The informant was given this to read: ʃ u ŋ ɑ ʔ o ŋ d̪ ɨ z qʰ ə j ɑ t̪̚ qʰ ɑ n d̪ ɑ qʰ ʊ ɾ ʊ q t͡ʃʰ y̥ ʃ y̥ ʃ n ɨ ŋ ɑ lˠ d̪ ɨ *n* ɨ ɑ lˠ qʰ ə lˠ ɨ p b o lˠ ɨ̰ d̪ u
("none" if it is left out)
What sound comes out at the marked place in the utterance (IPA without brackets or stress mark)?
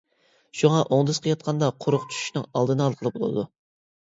n